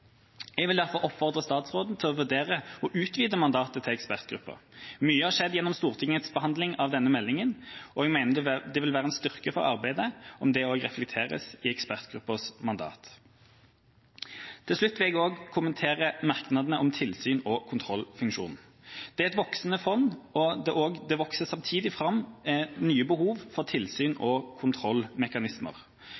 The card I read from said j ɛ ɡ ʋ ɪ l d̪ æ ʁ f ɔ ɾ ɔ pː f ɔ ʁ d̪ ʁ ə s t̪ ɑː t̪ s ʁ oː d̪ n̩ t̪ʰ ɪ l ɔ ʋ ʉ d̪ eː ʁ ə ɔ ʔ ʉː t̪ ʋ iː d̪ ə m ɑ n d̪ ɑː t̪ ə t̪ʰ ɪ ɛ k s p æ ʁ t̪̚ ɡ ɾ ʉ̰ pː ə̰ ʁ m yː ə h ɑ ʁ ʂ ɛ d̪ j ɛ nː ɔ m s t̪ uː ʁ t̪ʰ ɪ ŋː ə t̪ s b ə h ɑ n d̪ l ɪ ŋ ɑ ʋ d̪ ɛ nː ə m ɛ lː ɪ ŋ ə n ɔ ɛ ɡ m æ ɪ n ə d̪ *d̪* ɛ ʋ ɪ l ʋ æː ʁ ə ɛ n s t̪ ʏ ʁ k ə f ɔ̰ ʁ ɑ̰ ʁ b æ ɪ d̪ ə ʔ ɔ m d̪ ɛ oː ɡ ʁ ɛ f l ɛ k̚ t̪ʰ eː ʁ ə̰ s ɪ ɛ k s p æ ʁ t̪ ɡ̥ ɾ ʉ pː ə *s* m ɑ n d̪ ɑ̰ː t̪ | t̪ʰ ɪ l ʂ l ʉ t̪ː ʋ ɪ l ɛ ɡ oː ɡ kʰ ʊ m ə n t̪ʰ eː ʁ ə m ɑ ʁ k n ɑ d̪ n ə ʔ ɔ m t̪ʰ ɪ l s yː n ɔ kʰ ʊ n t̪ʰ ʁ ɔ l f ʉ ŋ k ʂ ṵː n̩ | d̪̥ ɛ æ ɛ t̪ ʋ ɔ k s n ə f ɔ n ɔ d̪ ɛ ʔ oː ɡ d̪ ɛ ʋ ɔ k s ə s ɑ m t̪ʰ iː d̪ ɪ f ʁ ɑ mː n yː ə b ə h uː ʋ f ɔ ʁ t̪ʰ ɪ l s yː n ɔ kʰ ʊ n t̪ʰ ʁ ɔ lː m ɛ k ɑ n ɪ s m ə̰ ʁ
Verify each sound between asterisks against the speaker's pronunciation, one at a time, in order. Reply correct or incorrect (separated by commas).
correct, correct